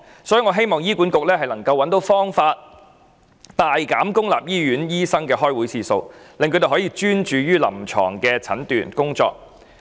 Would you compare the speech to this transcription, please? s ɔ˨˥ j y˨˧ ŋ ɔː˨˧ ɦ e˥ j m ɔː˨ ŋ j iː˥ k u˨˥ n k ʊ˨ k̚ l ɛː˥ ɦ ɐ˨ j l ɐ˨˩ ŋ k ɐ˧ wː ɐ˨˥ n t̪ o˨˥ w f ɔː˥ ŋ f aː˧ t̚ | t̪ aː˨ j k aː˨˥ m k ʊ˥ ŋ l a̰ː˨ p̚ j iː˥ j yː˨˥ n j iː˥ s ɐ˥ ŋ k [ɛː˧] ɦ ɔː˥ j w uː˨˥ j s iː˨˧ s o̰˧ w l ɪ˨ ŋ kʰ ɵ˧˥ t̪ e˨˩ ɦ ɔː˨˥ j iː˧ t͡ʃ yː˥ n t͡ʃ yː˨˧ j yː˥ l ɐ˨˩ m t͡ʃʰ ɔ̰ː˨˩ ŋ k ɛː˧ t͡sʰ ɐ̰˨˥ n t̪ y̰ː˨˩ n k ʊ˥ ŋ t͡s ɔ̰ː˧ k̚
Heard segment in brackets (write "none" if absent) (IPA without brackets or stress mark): ɛː˧